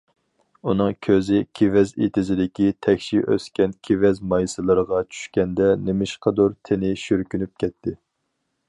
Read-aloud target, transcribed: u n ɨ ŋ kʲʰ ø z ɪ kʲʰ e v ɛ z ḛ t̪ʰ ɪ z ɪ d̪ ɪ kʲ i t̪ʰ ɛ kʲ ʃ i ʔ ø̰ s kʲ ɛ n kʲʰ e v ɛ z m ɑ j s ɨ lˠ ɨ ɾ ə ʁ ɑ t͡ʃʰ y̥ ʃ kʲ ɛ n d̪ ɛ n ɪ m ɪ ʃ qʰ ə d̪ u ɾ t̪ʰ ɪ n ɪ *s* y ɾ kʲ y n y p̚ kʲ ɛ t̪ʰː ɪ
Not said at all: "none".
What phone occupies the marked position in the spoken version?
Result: ʃ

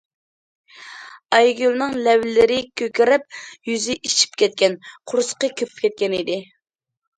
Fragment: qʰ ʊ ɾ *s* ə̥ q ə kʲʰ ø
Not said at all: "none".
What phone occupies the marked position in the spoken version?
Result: s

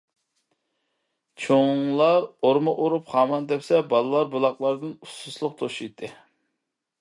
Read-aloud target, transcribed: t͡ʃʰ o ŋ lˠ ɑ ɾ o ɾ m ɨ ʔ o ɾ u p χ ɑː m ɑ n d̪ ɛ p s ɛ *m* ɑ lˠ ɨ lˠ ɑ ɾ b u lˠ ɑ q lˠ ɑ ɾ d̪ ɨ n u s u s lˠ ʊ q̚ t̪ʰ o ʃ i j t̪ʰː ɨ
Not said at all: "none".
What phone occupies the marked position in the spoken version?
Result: b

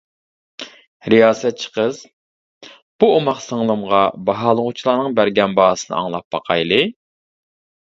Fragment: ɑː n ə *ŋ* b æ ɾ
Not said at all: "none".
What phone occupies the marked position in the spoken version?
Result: ŋ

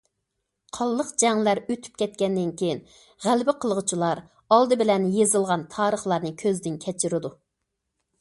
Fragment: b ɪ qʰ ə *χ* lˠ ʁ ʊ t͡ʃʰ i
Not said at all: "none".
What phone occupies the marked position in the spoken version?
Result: none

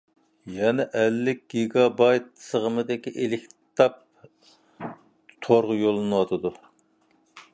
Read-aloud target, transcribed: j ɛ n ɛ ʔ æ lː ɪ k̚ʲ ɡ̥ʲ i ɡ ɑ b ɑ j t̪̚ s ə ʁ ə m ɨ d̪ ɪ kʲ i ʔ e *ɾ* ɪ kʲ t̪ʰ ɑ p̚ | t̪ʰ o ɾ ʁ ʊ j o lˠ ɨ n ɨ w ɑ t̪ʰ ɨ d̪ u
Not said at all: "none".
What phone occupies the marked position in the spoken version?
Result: l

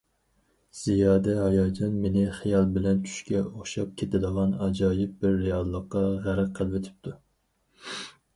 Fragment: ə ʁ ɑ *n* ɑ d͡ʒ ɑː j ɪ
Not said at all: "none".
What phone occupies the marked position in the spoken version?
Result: n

